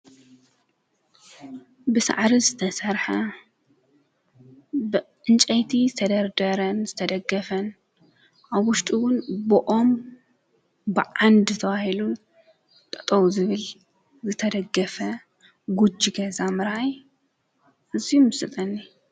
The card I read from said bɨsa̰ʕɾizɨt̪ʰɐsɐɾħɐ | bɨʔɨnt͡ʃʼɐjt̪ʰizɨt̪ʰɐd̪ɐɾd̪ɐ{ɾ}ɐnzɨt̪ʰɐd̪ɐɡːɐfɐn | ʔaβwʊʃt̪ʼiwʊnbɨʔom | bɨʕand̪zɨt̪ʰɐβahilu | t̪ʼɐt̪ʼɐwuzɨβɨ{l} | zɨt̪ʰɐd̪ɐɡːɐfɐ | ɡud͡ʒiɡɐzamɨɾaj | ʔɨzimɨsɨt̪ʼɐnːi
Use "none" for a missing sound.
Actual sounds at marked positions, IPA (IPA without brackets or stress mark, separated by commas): ɾ, l